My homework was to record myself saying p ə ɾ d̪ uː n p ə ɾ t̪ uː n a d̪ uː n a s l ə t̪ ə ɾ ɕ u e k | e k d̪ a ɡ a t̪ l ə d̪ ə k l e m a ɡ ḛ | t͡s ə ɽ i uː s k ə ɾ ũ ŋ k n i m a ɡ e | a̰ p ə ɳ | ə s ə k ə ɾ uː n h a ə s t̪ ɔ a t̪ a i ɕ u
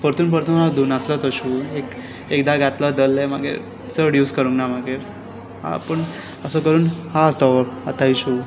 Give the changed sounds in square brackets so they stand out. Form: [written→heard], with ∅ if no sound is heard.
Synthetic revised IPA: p ə ɾ [d̪→t̪] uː n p ə ɾ t̪ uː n a d̪ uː n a s l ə t̪ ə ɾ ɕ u e k | e k d̪ a ɡ a t̪ l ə d̪ ə [k→∅] l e m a ɡ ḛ | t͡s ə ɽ [i→j] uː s k ə ɾ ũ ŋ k n [i→a] m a ɡ e | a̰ p ə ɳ | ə s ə k ə ɾ uː n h a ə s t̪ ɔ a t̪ a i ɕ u